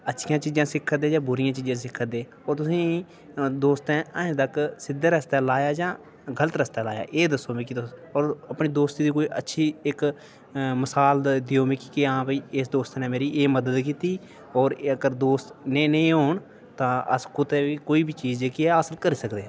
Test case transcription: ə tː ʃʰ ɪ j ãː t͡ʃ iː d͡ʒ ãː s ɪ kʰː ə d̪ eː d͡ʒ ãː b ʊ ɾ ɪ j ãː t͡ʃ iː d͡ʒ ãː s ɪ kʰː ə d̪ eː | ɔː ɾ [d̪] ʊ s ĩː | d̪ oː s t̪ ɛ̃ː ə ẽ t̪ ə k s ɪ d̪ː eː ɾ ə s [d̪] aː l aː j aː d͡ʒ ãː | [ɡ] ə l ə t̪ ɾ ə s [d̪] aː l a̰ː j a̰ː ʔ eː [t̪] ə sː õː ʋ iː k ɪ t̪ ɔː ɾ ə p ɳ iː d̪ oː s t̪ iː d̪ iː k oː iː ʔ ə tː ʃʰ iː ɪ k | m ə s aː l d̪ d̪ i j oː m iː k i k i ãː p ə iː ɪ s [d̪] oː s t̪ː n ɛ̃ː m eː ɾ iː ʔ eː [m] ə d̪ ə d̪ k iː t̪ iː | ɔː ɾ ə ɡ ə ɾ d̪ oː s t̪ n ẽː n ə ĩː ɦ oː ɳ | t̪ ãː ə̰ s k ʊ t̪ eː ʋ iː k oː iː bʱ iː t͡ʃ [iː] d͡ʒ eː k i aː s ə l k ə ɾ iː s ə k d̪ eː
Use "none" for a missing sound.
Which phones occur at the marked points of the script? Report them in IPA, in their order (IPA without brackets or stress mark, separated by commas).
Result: t̪, t̪, ɡ, t̪, d̪, d̪, m, iː